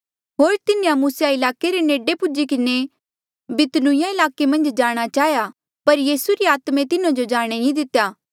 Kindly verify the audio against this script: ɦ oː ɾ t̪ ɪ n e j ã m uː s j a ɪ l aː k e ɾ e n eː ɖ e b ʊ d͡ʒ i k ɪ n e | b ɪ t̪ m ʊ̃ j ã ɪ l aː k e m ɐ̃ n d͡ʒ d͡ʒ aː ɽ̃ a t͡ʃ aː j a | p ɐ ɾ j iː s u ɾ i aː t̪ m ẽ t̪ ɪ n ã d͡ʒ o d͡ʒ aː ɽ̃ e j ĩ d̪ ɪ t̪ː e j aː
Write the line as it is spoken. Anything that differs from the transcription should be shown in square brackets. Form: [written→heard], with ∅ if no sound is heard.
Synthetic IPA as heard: ɦ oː ɾ t̪ ɪ n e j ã m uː s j a ɪ l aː k e ɾ e n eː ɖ e [b→p] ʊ d͡ʒ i k ɪ n e | b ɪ t̪ [m→n] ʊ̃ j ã ɪ l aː k e m ɐ̃ n d͡ʒ d͡ʒ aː ɽ̃ a t͡ʃ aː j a | p ɐ ɾ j iː s u ɾ i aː t̪ m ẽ t̪ ɪ n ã d͡ʒ o d͡ʒ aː ɽ̃ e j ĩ d̪ ɪ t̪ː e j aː